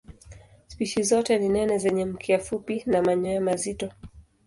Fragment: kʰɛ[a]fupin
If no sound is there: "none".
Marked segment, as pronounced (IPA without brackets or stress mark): a